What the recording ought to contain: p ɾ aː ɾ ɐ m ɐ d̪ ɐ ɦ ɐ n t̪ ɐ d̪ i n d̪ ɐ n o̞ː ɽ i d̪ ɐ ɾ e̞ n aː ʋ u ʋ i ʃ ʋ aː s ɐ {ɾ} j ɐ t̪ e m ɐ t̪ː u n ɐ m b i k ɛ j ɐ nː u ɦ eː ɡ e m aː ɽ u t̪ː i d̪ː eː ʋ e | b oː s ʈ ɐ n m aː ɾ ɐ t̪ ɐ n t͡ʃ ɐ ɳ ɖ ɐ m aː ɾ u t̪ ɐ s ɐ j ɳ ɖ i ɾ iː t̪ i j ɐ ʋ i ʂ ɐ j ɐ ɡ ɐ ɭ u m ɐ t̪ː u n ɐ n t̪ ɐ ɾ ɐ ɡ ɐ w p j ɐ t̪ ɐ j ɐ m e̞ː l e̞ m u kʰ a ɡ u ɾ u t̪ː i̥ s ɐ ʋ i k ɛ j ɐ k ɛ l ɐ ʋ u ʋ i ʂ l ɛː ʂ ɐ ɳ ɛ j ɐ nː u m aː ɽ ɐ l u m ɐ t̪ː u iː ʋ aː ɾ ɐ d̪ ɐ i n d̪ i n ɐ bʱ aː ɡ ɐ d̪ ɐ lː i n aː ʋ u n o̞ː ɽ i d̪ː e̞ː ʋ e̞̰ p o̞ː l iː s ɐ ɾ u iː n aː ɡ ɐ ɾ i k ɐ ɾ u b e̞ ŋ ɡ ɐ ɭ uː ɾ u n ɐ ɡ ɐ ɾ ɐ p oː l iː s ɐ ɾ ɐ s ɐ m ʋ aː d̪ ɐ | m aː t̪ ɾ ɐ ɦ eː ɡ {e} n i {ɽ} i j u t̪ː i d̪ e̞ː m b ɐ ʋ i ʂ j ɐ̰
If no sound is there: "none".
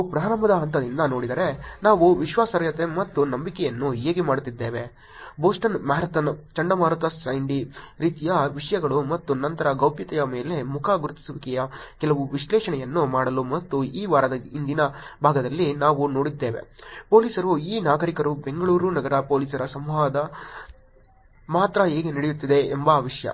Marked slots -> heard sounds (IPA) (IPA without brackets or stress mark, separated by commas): ɾ, e, ɽ